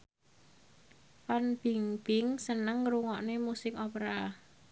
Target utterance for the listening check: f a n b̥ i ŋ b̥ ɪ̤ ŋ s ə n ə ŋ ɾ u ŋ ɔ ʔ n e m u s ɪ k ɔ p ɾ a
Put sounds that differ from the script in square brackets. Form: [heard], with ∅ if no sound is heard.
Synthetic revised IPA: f a n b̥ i ŋ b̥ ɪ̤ ŋ s ə n ə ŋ ɾ u ŋ ɔ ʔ n e m u s ɪ k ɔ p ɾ a